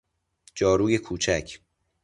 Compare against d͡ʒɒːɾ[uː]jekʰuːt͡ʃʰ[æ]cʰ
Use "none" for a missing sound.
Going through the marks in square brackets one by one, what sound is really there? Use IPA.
uː, æ

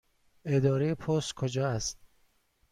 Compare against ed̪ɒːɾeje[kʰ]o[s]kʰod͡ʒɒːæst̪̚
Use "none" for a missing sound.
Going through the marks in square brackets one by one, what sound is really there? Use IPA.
pʰ, s

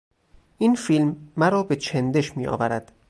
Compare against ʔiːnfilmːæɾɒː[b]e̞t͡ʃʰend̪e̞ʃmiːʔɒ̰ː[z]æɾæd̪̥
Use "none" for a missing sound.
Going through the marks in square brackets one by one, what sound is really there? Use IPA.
b, v

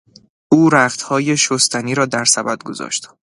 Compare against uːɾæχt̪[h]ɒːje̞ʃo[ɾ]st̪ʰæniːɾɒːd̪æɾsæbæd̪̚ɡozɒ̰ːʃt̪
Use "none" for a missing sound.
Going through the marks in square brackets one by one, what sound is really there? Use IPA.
h, none

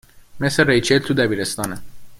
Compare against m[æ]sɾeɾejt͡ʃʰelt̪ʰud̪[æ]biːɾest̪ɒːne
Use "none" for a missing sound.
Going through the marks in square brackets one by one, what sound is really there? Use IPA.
e, æ

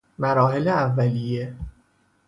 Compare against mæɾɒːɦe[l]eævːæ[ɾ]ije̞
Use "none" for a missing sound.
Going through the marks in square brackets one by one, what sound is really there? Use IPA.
l, l

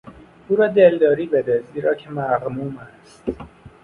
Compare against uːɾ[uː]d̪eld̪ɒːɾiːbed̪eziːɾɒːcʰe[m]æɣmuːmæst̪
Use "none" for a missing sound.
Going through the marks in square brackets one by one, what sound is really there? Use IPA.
ɒː, m

